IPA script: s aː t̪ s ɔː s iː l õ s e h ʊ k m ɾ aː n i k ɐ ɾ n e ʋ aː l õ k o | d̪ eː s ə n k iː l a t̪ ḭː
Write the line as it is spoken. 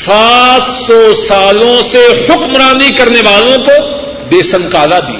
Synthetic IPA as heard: s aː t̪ s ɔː s aː l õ s e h ʊ k m ɾ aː n i k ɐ ɾ n e ʋ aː l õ k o | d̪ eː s ə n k aː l a d̪ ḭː